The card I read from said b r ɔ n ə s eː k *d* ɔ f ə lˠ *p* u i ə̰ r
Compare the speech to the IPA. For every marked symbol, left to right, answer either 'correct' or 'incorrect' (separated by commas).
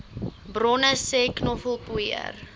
incorrect, correct